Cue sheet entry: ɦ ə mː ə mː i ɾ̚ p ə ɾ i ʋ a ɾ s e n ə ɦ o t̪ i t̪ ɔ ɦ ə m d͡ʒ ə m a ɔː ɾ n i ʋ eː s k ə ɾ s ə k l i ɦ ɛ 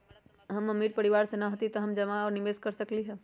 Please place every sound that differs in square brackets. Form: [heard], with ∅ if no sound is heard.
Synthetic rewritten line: ɦ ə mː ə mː i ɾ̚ p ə ɾ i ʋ a ɾ s e n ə ɦ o t̪ i t̪ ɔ ɦ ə m d͡ʒ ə m a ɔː ɾ n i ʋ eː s k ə ɾ s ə k l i ɦ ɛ